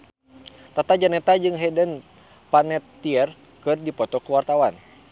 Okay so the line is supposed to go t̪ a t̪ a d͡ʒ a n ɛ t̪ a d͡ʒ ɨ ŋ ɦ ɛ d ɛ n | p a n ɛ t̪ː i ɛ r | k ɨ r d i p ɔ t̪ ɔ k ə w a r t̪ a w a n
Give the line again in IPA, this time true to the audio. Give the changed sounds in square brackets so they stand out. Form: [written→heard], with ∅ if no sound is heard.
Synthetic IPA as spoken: t̪ a t̪ a d͡ʒ a n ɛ t̪ a d͡ʒ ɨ ŋ ɦ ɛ d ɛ n | p a n ɛ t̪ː i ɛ r | k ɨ r d i p ɔ t̪ ɔ k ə w a r t̪ a w a n